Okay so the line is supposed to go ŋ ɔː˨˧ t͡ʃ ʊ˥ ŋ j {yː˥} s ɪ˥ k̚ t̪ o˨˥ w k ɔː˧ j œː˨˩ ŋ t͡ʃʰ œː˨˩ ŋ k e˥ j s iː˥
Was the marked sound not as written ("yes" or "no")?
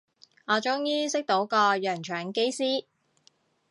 yes